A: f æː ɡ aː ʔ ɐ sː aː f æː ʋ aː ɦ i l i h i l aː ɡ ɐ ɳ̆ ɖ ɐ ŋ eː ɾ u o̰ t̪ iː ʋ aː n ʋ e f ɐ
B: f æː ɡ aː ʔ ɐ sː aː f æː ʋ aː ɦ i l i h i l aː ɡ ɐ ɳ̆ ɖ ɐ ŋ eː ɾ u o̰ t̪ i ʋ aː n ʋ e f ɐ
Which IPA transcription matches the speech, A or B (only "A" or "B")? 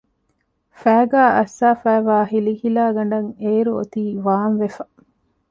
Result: A